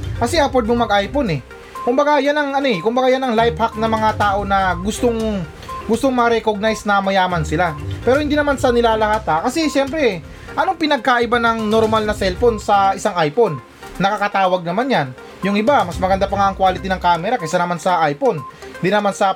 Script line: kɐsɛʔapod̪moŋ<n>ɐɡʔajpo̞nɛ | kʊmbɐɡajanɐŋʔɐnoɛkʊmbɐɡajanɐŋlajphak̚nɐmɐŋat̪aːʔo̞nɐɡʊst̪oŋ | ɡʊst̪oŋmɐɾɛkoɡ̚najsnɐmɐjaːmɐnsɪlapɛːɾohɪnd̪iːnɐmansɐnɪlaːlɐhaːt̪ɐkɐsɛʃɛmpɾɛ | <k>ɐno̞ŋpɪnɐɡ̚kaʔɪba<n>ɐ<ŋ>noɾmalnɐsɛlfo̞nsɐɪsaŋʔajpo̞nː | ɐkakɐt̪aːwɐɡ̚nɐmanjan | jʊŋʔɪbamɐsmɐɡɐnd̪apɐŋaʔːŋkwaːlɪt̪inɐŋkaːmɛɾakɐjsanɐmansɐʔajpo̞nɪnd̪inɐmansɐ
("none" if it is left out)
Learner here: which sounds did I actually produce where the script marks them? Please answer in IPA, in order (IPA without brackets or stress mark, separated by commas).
m, ʔ, n, ŋ